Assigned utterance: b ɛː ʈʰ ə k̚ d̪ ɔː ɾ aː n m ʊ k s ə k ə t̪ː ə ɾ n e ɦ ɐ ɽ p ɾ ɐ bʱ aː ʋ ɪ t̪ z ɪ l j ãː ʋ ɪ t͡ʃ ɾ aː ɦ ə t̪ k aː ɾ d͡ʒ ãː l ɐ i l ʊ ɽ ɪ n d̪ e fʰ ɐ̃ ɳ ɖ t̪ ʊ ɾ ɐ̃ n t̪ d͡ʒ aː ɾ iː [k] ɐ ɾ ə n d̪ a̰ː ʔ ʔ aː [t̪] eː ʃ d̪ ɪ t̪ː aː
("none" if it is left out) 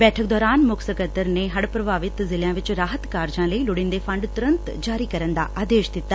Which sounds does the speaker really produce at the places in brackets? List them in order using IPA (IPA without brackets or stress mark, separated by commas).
k, d̪